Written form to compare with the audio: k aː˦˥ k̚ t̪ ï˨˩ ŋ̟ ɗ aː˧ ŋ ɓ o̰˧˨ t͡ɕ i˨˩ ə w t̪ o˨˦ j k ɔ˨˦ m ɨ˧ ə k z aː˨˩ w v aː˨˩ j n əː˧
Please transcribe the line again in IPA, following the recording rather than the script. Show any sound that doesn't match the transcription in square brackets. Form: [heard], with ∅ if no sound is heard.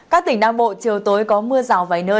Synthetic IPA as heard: k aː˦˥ k̚ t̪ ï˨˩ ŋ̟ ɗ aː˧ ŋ ɓ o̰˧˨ t͡ɕ i˨˩ ə w t̪ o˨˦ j k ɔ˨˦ m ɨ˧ ə [∅] z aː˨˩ w v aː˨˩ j n əː˧